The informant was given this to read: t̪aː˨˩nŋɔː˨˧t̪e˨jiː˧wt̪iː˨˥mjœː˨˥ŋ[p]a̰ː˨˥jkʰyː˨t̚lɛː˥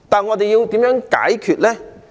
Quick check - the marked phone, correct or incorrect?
incorrect